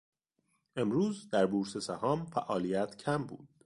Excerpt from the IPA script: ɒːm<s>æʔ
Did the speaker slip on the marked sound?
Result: yes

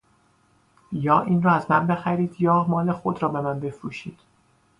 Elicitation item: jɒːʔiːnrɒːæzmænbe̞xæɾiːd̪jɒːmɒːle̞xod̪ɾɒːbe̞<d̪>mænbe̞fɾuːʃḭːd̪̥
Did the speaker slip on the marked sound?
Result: yes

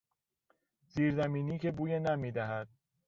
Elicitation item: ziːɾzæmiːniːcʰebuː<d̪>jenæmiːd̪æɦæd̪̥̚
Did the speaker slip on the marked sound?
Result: yes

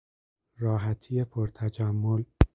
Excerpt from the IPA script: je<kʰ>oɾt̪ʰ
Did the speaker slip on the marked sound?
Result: yes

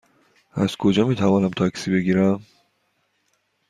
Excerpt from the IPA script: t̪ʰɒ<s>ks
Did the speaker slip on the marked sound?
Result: yes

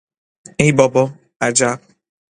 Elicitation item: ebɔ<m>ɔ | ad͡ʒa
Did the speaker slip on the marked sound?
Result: yes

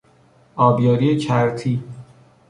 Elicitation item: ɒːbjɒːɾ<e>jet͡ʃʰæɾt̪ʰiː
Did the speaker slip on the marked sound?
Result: yes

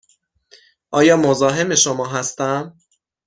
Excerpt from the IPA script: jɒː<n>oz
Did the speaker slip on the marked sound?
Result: yes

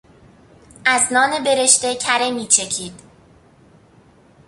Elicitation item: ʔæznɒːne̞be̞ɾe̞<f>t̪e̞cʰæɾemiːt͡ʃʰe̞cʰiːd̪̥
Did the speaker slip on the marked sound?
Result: yes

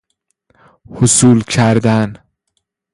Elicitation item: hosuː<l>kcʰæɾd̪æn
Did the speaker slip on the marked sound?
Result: no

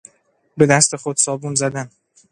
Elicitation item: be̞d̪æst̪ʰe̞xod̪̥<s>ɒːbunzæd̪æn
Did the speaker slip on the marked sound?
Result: no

